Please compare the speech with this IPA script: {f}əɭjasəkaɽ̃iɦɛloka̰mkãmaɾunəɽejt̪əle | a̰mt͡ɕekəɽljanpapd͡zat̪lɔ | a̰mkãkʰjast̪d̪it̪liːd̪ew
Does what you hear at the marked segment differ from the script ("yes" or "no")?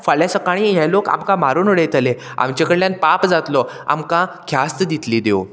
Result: no